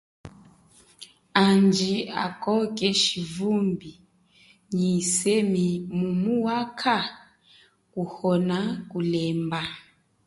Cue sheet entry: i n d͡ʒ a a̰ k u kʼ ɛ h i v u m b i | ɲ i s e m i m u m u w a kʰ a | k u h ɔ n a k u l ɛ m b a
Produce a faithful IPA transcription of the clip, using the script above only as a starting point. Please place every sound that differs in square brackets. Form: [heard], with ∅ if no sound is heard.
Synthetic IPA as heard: [a] n d͡ʒ [i] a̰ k [ɔ] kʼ ɛ [ʃ] i v u m b i | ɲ i s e m i m u m u w a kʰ a | k u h ɔ n a k u l ɛ m b a